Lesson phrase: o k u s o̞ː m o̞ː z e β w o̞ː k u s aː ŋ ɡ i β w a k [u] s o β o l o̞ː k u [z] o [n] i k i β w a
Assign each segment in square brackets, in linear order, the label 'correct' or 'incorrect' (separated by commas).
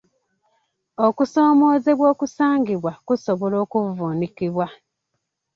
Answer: correct, incorrect, correct